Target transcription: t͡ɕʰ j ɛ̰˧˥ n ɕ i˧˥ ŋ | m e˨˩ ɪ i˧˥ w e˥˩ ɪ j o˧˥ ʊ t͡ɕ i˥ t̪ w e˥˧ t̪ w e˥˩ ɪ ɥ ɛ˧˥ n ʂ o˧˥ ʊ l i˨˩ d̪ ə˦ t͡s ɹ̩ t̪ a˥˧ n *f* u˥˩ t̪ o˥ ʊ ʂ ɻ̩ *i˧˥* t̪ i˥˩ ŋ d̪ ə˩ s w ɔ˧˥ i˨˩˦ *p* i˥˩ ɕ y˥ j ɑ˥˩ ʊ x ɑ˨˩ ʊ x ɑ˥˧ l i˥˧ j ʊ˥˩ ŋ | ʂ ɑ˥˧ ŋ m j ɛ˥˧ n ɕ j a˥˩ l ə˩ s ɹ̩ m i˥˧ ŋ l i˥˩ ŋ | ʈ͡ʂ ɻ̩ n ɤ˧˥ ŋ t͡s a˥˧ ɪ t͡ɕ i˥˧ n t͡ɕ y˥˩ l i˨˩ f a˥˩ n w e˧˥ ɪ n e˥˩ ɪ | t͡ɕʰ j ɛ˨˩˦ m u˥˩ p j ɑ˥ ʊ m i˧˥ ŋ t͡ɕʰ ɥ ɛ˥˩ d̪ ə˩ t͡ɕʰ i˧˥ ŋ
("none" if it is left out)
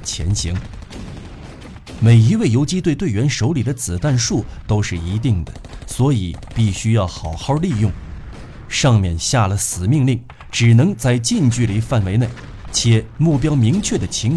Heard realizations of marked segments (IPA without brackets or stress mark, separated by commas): ʂ, i˧˥, p